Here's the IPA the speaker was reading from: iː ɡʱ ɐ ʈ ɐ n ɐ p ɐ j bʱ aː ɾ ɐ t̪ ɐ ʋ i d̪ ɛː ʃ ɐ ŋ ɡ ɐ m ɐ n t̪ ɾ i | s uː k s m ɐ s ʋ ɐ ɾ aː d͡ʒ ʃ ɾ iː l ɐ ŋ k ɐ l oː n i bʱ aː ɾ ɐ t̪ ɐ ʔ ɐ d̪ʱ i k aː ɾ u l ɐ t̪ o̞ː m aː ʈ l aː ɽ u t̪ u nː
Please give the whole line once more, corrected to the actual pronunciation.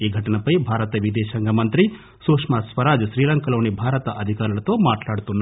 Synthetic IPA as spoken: iː ɡʱ ɐ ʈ ɐ n ɐ p ɐ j bʱ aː ɾ ɐ t̪ ɐ ʋ i d̪ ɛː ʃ ɐ ŋ ɡ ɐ m ɐ n t̪ ɾ i | s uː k ʂ m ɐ s ʋ ɐ ɾ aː d͡ʒ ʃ ɾ iː l ɐ ŋ k ɐ l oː n i bʱ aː ɾ ɐ t̪ ɐ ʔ ɐ d̪ʱ i k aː ɾ u l ɐ t̪ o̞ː m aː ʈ l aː ɽ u t̪ u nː